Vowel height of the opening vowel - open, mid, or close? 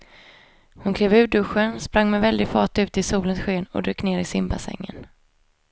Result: close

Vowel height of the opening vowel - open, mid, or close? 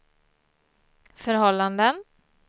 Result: mid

